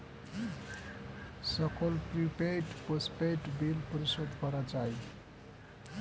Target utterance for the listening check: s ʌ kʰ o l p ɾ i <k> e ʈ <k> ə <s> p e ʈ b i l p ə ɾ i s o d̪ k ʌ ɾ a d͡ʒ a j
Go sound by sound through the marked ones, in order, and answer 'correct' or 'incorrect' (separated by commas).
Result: incorrect, incorrect, correct